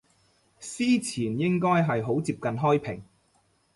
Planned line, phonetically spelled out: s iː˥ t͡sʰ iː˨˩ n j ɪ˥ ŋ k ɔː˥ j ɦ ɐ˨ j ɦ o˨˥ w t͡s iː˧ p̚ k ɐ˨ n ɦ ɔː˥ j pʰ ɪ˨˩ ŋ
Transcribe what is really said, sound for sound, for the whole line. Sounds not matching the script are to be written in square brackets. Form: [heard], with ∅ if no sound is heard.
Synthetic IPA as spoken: s iː˥ t͡sʰ iː˨˩ n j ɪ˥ ŋ k ɔː˥ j ɦ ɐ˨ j ɦ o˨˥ w t͡s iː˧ p̚ k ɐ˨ n ɦ ɔː˥ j pʰ ɪ˨˩ ŋ